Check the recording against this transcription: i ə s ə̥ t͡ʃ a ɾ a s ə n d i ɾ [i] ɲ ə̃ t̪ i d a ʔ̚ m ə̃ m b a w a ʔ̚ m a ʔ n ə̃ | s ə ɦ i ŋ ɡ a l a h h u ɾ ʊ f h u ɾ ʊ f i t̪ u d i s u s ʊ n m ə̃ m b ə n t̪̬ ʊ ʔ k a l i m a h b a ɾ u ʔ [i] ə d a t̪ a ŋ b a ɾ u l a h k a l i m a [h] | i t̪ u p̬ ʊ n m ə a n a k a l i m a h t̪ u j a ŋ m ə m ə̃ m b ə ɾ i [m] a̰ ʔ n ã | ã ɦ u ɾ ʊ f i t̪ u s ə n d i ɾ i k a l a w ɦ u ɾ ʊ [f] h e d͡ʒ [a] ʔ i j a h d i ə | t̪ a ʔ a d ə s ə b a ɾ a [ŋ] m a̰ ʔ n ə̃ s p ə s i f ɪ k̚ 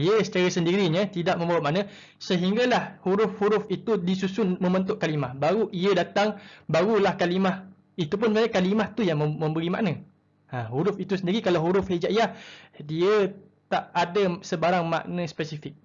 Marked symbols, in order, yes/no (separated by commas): yes, yes, yes, yes, yes, yes, yes